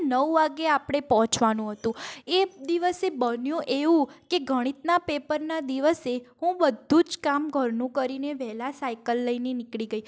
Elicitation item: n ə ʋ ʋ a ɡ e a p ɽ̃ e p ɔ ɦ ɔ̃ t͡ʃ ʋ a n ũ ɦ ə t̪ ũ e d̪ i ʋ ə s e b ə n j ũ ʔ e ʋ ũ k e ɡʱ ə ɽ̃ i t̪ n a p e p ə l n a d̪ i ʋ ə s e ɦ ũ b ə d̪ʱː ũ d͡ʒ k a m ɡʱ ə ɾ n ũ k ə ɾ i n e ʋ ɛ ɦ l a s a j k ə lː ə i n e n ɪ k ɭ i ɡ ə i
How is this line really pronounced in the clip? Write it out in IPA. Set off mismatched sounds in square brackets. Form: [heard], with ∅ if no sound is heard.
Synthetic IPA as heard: n ə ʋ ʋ a ɡ e a p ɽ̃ e p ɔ ɦ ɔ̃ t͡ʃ ʋ a n ũ ɦ ə t̪ ũ e d̪ i ʋ ə s e b ə n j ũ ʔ e ʋ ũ k e ɡʱ ə ɽ̃ i t̪ n a p e p ə [ɾ] n a d̪ i ʋ ə s e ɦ ũ b ə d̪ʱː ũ d͡ʒ k a m ɡʱ ə ɾ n ũ k ə ɾ i n e ʋ ɛ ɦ l a s a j k ə lː ə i n e n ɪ k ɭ i ɡ ə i

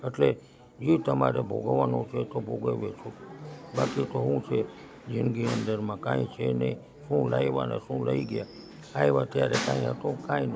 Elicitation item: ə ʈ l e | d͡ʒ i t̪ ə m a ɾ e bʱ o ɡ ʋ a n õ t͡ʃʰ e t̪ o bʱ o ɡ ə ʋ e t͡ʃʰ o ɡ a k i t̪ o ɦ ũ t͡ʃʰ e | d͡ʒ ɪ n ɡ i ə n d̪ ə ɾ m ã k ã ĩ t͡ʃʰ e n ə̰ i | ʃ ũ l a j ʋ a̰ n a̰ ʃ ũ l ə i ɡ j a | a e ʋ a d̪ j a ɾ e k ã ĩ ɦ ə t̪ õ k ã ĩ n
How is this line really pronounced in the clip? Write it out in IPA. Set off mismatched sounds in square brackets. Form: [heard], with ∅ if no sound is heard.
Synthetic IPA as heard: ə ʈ l e | d͡ʒ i t̪ ə m a ɾ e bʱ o ɡ ʋ a n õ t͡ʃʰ e t̪ o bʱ o ɡ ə ʋ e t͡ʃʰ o [b] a k i t̪ o ɦ ũ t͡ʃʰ e | d͡ʒ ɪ n ɡ i ə n d̪ ə ɾ m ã k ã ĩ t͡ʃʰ e n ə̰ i | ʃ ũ l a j ʋ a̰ n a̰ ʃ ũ l ə i ɡ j a | a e ʋ a [t̪] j a ɾ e k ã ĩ ɦ ə t̪ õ k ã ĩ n

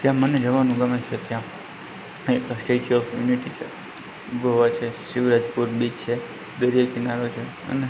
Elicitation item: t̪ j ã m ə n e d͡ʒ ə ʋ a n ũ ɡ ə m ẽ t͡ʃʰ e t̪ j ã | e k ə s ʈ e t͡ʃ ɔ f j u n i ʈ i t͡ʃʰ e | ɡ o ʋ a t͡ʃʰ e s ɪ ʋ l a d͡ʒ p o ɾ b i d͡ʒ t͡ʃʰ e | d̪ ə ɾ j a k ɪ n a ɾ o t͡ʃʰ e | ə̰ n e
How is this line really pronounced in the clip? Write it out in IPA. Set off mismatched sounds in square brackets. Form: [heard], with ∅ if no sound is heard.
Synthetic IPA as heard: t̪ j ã m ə n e d͡ʒ ə ʋ a n ũ ɡ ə m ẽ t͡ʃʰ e t̪ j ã | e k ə s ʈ e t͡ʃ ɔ f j u n i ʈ i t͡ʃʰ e | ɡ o ʋ a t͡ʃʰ e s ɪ ʋ [ɾ] a d͡ʒ p [u] ɾ b i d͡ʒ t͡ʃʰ e | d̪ ə ɾ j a k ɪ n a ɾ o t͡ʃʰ e | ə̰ n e

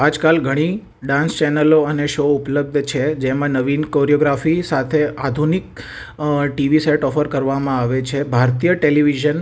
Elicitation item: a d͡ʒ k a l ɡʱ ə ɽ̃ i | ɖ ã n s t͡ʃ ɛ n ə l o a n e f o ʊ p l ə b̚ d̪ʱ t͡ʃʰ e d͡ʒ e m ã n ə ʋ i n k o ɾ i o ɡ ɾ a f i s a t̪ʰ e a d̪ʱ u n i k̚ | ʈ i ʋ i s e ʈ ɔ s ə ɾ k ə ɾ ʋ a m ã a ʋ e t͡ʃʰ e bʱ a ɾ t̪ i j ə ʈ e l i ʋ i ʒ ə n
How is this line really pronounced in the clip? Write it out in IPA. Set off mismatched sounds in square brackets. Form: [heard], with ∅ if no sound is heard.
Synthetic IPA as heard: a d͡ʒ k a l ɡʱ ə ɽ̃ i | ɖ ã n s t͡ʃ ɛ n ə l o [ə] n e [ʃ] o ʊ p l ə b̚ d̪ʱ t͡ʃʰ e d͡ʒ e m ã n ə ʋ i n k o ɾ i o ɡ ɾ a f i s a t̪ʰ e a d̪ʱ u n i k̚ | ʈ i ʋ i s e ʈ ɔ [f] ə ɾ k ə ɾ ʋ a m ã a ʋ e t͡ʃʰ e bʱ a ɾ t̪ i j ə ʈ e l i ʋ i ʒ ə n

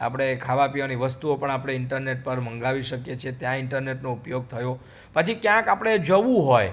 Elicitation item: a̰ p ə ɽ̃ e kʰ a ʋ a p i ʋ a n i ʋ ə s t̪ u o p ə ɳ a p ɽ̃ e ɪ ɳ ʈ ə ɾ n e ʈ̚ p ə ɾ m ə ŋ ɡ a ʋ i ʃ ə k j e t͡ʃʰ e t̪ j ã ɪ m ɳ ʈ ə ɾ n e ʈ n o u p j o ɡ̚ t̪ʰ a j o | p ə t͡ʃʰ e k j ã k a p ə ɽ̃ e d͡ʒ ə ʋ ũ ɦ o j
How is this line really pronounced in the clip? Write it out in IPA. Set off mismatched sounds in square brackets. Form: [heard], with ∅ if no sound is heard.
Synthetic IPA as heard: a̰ p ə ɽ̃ e kʰ a ʋ a p i ʋ a n i ʋ ə s t̪ u o p ə ɳ a p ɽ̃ e ɪ ɳ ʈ ə ɾ n e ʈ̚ p ə ɾ m ə ŋ ɡ a ʋ i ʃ ə k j e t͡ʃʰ e t̪ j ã ɪ [∅] ɳ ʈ ə ɾ n e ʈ n o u p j o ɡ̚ t̪ʰ [ə] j o | p ə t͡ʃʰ [i] k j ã k a p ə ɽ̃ e d͡ʒ ə ʋ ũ ɦ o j

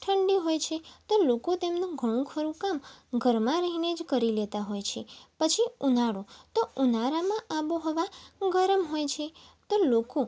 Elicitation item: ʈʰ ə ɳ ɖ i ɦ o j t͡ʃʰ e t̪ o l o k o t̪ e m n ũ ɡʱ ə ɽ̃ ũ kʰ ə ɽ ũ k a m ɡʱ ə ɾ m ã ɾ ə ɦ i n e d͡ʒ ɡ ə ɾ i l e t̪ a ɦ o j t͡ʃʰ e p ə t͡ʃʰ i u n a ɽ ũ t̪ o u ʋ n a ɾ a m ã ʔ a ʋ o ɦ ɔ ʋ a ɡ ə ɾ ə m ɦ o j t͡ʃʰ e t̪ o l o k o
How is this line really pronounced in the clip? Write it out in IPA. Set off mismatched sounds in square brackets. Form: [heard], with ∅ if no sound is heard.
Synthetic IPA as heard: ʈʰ ə ɳ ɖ i ɦ o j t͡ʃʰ e t̪ o l o k o t̪ e m n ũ ɡʱ ə ɽ̃ ũ kʰ ə [ɾ] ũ k a m ɡʱ ə ɾ m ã ɾ ə ɦ i n e d͡ʒ [k] ə ɾ i l e t̪ a ɦ o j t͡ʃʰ e p ə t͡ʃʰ i u n a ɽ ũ t̪ o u [∅] n a ɾ a m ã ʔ a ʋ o ɦ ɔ ʋ a ɡ ə ɾ ə m ɦ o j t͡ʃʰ e t̪ o l o k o

